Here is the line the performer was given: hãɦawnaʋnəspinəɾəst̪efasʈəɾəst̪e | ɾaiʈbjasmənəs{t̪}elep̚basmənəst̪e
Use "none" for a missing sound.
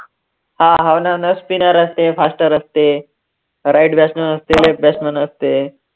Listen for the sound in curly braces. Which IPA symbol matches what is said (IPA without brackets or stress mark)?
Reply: t̪